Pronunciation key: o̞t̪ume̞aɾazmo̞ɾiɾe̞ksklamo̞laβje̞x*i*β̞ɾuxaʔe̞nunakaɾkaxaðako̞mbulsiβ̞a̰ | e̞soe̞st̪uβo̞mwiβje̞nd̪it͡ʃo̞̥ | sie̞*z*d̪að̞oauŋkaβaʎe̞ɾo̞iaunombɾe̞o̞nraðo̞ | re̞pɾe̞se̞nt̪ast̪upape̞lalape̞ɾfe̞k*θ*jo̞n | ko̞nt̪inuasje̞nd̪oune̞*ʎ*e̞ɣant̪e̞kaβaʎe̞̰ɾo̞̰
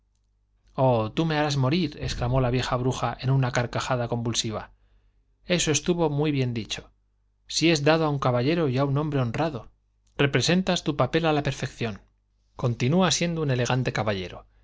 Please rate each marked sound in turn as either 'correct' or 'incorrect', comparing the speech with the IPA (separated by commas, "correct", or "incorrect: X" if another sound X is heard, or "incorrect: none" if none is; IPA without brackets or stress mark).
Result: incorrect: a, correct, correct, incorrect: l